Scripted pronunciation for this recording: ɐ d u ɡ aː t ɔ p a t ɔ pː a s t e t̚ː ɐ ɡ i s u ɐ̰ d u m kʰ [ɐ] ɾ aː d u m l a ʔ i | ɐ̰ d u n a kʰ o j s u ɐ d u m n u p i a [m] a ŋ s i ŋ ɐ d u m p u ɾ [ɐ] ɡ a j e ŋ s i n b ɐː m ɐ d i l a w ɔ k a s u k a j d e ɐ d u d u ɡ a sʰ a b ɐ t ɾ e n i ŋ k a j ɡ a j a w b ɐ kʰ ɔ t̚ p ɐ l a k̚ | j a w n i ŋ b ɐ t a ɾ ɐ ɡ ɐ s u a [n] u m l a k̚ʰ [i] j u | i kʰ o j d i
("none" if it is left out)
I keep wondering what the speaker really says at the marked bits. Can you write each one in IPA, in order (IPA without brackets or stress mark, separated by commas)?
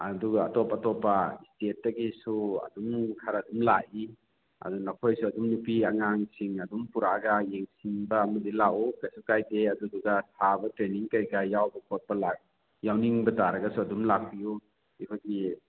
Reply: a, ŋ, a, d, i